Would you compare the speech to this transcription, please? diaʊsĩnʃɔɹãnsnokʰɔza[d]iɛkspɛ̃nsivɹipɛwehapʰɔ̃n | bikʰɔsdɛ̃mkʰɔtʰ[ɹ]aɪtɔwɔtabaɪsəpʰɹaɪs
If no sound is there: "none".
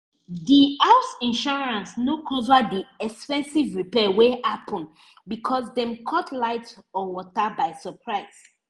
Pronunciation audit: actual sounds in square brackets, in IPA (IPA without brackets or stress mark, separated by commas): d, l